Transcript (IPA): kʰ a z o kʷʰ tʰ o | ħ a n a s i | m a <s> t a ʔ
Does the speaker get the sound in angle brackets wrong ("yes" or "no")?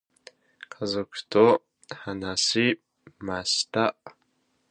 no